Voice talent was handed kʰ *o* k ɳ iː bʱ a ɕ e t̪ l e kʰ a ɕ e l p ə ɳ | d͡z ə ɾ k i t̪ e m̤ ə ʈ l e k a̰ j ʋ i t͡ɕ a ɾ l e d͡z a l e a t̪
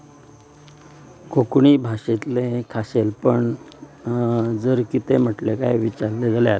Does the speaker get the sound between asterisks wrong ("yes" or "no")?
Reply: no